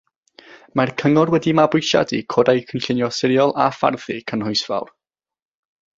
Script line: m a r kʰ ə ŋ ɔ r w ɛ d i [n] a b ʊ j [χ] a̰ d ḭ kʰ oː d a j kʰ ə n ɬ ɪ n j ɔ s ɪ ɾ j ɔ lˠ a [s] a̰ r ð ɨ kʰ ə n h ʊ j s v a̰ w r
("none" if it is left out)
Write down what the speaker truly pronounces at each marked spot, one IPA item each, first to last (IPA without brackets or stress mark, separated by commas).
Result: m, ʃ, f